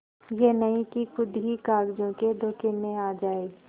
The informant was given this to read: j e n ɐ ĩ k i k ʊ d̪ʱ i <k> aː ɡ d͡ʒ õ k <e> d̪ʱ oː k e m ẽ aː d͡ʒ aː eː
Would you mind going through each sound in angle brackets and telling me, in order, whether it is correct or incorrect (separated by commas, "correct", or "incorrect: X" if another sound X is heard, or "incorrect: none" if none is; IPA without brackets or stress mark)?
correct, correct